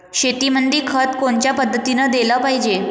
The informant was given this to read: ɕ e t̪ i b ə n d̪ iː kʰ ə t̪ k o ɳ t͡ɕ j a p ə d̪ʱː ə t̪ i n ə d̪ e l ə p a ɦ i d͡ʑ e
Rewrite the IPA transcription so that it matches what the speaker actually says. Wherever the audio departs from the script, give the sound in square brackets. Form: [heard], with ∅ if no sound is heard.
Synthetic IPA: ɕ e t̪ i [m] ə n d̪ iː kʰ ə t̪ k o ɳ t͡ɕ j a p ə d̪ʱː ə t̪ i n ə d̪ e l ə p a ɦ i d͡ʑ e